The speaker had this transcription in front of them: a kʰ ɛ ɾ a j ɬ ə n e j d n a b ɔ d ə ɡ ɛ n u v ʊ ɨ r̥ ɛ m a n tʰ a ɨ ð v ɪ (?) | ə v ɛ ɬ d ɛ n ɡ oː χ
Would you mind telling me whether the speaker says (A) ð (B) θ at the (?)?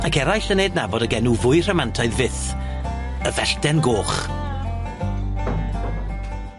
B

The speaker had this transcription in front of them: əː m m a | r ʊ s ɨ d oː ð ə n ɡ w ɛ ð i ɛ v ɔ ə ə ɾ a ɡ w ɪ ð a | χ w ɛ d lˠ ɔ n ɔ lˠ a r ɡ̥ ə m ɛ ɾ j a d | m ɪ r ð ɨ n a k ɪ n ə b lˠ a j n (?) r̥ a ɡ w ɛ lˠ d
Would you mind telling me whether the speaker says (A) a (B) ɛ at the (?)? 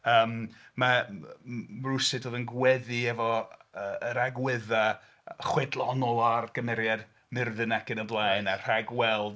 A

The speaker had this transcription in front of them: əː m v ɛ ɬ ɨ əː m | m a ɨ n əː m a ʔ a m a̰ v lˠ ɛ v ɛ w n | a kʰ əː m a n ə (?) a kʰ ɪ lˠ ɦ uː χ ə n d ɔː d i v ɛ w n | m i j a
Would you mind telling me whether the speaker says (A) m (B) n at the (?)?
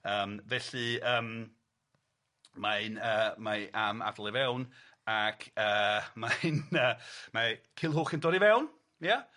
A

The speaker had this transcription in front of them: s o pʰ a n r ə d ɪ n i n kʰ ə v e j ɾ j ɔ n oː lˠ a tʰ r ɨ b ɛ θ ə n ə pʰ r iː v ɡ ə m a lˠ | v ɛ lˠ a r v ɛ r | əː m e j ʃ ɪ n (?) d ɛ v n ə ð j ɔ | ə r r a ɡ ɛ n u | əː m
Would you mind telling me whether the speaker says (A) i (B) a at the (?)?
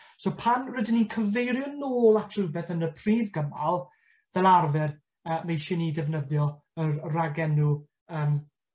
A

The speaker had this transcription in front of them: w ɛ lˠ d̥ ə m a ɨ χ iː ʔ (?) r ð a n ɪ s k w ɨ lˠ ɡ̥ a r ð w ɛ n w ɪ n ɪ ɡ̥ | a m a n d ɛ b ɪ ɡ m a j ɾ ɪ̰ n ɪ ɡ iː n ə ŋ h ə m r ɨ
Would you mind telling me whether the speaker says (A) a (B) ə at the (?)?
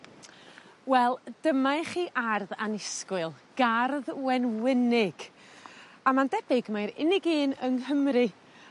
A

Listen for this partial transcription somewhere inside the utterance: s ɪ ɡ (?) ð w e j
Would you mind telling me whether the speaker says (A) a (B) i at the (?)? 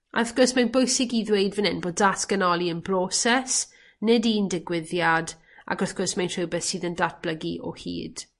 B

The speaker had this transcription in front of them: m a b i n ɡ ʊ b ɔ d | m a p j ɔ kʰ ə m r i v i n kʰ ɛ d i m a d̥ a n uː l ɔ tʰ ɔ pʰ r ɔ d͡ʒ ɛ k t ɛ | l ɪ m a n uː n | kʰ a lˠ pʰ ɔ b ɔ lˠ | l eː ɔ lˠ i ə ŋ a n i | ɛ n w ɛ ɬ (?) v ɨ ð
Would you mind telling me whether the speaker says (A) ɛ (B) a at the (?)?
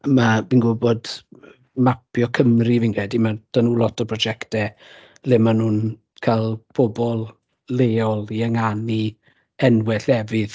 A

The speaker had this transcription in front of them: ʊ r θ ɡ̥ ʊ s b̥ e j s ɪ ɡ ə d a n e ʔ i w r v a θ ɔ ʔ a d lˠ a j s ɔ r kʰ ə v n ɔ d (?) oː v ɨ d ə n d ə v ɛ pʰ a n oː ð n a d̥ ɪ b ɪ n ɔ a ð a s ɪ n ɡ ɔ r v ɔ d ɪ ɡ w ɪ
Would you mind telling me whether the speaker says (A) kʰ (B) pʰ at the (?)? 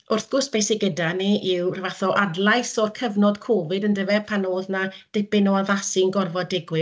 A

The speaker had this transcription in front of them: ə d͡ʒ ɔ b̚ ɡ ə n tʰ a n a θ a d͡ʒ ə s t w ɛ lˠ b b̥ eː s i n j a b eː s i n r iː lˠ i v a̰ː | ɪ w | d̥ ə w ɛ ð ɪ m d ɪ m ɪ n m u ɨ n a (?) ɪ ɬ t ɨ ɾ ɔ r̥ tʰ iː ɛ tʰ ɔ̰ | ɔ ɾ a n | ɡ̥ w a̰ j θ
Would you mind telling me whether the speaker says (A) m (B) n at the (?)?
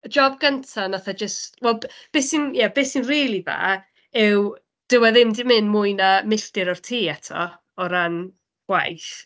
A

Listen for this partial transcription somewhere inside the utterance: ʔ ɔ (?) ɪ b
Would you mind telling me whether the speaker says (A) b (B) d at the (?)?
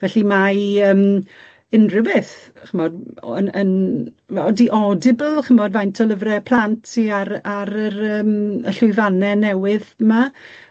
B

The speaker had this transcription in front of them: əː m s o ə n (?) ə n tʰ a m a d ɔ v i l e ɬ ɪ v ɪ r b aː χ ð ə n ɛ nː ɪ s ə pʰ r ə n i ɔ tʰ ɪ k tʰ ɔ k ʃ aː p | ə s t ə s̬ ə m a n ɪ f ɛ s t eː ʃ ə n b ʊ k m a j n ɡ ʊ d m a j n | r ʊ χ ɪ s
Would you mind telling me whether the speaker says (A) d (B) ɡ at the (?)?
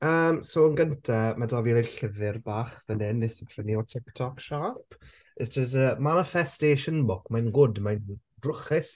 B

